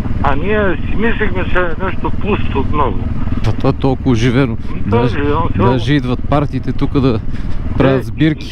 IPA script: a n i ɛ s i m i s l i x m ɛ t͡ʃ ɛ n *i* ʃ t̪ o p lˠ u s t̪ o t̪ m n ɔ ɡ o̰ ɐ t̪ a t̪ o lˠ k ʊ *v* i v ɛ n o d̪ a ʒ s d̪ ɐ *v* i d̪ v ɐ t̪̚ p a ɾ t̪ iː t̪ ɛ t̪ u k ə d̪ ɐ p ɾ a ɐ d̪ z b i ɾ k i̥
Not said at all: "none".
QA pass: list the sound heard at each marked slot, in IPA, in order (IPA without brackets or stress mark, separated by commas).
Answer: ɛ, ʒ, ʒ